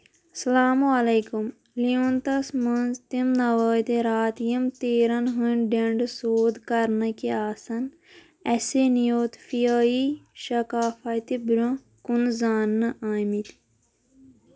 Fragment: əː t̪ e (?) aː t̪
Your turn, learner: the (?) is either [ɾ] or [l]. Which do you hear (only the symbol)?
ɾ